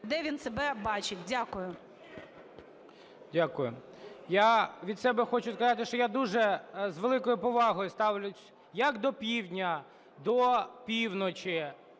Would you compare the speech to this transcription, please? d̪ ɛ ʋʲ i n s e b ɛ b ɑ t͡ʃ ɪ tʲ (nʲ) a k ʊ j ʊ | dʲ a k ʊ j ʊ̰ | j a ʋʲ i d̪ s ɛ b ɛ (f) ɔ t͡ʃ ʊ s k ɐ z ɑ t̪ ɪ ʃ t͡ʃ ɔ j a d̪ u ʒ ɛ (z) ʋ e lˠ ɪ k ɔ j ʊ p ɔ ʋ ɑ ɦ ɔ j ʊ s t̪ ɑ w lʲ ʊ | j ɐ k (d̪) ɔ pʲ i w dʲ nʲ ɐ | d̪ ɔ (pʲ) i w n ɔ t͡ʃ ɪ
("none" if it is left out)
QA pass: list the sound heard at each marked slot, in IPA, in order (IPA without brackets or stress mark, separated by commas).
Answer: dʲ, x, z, d̪, pʲ